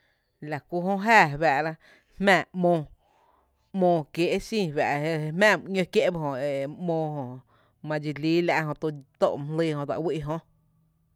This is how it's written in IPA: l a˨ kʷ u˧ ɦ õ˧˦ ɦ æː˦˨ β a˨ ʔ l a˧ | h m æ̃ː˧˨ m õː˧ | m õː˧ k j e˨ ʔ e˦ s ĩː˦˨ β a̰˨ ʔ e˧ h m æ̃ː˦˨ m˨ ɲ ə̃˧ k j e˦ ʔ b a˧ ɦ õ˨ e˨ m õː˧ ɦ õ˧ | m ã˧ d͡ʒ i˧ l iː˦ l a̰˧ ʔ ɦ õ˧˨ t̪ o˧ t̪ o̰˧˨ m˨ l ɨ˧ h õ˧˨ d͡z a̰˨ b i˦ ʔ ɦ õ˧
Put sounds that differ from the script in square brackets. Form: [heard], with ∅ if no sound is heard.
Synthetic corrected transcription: l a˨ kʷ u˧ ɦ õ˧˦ ɦ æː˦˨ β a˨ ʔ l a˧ | h m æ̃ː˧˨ m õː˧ | m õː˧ k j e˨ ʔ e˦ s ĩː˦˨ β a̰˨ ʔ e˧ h m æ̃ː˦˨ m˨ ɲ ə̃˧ k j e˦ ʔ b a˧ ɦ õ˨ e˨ m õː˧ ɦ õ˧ | m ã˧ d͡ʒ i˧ l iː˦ l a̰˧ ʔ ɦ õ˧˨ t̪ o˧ t̪ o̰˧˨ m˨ l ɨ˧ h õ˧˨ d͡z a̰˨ [w] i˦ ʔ ɦ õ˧